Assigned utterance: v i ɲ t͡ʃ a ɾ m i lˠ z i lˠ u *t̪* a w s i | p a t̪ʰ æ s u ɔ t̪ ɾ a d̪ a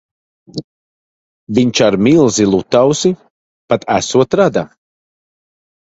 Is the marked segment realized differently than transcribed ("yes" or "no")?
no